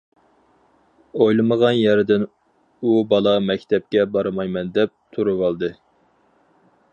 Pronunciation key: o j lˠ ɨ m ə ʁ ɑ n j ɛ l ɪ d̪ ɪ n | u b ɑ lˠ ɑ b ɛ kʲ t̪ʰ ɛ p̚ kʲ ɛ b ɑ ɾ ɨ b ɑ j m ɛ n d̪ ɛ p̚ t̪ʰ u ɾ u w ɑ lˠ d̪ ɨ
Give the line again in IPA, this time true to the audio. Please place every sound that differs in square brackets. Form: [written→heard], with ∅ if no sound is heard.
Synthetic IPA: o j lˠ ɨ m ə ʁ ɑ n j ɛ [l→ɾ] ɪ d̪ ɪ n | u b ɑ lˠ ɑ [b→m] ɛ kʲ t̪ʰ ɛ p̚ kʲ ɛ b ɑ ɾ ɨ [b→m] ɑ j m ɛ n d̪ ɛ p̚ t̪ʰ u ɾ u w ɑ lˠ d̪ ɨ